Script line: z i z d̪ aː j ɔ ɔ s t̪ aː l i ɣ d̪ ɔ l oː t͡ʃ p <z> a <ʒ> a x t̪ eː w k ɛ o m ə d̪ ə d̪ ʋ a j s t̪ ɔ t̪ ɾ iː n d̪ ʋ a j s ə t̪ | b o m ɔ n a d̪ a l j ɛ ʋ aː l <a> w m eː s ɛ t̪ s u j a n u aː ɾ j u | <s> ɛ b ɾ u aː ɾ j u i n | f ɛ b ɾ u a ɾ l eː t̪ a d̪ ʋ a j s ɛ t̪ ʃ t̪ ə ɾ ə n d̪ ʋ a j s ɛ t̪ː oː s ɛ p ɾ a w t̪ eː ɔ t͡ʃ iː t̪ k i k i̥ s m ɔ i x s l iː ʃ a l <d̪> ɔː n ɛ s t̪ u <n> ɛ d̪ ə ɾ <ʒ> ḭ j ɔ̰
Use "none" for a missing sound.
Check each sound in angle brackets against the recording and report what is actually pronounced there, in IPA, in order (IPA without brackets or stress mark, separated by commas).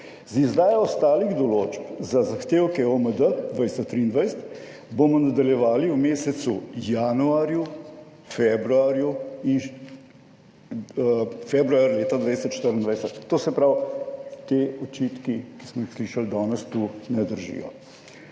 z, z, i, f, d̪, n, ʒ